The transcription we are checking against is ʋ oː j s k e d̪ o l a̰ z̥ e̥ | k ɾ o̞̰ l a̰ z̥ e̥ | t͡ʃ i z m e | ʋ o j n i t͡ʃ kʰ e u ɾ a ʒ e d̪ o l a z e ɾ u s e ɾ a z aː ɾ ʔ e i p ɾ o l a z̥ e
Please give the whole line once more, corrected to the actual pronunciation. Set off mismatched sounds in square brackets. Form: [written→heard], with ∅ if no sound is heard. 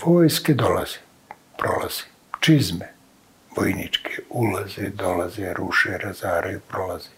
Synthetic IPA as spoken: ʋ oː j s k e d̪ o l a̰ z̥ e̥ | [k→p] ɾ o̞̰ l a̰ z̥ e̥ | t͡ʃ i z m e | ʋ o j n i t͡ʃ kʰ e u [ɾ→l] a [ʒ→z] e d̪ o l a z e ɾ u [s→ʃ] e ɾ a z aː ɾ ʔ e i p ɾ o l a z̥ e